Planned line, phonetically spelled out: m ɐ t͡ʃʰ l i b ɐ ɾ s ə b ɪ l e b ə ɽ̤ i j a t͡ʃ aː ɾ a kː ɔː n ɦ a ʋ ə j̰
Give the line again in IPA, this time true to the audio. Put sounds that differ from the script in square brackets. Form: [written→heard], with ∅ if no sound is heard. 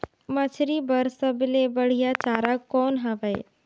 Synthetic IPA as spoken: m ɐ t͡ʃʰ [l→ɾ] i b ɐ ɾ s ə b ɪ l e b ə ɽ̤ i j a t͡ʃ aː ɾ a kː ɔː n ɦ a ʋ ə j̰